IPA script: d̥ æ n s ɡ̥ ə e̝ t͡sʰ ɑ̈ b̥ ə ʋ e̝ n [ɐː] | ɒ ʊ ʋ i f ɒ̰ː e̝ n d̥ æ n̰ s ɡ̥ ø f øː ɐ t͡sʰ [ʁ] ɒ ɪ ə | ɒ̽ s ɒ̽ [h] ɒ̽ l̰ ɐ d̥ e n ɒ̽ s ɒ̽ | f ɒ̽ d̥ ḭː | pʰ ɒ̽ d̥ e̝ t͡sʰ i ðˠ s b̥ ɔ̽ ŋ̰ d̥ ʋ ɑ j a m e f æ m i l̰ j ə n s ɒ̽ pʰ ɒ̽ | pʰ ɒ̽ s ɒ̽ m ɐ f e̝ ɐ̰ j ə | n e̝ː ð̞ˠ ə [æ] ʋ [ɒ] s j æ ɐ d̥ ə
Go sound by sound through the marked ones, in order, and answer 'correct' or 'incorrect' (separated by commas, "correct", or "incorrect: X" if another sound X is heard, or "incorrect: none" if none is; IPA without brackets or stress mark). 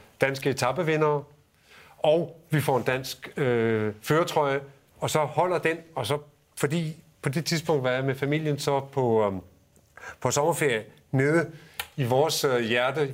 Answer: correct, correct, correct, incorrect: i, incorrect: ɒː